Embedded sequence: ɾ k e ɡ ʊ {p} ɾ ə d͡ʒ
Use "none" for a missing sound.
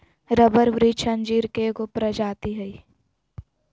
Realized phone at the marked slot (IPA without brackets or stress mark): p